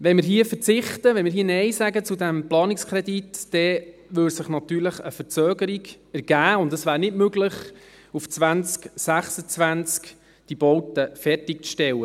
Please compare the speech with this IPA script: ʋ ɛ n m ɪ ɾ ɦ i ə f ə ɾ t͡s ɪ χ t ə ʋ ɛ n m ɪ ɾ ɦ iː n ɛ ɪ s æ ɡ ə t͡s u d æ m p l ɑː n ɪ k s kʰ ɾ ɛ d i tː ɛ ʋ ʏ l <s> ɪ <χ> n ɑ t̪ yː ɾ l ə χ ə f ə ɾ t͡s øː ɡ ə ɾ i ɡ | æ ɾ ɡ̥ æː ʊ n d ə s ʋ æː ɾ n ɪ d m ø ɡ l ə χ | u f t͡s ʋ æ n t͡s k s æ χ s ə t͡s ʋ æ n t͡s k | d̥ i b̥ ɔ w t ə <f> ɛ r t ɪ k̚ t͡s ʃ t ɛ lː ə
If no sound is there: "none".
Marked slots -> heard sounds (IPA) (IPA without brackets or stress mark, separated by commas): s, χ, f